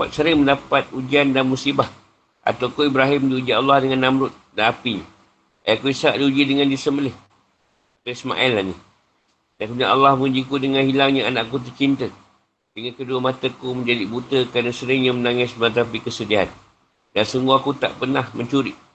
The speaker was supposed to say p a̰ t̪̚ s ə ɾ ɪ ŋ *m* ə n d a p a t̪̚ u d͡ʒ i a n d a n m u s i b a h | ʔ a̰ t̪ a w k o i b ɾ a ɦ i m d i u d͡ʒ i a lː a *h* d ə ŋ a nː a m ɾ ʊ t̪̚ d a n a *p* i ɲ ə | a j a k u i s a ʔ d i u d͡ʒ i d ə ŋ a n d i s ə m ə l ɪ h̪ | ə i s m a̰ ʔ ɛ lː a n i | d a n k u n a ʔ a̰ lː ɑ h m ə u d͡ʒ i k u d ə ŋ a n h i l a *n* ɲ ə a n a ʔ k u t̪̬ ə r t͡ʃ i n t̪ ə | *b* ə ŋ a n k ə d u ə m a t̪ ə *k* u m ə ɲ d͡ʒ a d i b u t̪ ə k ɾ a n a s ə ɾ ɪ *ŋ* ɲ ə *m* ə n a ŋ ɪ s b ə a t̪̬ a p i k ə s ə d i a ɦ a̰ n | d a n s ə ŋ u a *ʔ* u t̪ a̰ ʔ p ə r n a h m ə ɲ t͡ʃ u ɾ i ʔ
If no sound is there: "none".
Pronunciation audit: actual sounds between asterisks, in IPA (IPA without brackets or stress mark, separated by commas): m, h, p, ŋ, d, k, ŋ, m, k